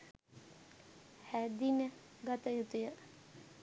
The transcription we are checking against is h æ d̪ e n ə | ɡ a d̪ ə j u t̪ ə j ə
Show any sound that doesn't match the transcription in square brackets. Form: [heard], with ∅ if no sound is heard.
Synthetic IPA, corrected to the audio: h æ d̪ [i] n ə | ɡ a [t̪] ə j u t̪ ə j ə